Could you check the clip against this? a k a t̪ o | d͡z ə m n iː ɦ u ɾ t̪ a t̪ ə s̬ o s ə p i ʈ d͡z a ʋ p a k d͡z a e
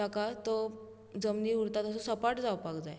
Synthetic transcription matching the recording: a k a t̪ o | d͡z ə m n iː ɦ u ɾ t̪ a t̪ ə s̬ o s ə p a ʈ d͡z a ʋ p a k d͡z a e